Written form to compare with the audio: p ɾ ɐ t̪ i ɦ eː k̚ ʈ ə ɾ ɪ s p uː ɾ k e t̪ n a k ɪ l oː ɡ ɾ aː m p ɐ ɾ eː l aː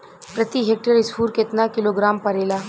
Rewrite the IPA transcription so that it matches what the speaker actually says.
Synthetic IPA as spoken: p ɾ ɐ t̪ i ɦ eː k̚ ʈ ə ɾ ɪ s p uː ɾ k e t̪ n a k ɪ l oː ɡ ɾ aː m p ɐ ɾ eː l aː